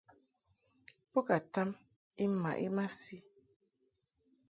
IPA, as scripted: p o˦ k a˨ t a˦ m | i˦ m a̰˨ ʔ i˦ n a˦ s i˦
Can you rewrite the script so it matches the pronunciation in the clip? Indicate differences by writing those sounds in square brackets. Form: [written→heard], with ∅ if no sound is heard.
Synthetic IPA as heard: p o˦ k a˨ t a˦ m | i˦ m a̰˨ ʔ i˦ [n→m] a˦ s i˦